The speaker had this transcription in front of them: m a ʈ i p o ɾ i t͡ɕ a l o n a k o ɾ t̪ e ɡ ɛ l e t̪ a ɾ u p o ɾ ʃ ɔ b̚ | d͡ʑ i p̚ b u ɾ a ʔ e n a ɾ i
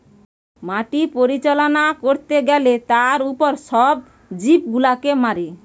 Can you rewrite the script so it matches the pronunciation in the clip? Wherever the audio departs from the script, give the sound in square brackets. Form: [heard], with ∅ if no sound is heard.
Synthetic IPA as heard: m a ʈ i p o ɾ i t͡ɕ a l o n a k o ɾ t̪ e ɡ ɛ l e t̪ a ɾ u p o ɾ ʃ ɔ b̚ | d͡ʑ i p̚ [ɡ] u [l] a [k] e [m] a ɾ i